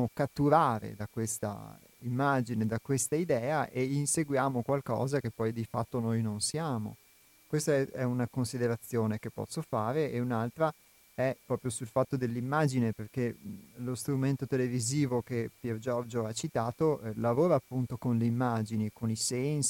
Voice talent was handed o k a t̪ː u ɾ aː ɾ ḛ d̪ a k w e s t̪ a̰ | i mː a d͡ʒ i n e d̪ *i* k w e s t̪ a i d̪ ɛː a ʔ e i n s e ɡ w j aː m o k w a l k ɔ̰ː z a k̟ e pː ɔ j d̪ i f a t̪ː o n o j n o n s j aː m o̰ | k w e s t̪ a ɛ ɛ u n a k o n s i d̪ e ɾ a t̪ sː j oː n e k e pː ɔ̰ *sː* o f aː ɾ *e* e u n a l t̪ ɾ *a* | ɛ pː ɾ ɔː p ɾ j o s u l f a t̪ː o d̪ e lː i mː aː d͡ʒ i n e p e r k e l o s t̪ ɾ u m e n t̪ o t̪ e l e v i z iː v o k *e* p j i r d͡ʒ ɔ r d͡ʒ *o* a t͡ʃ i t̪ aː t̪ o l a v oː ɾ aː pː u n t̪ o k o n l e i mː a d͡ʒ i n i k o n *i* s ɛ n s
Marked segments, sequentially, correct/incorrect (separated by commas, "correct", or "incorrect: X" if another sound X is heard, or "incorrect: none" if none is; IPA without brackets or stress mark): incorrect: a, correct, correct, correct, correct, correct, correct